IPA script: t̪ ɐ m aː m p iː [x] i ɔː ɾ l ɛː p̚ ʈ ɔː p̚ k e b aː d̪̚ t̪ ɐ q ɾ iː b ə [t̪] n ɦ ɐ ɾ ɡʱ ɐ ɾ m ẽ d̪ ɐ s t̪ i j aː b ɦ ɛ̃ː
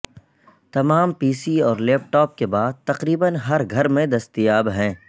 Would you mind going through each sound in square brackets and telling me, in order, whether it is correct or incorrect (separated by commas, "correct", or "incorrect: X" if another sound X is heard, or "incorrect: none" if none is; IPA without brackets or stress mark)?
incorrect: s, incorrect: none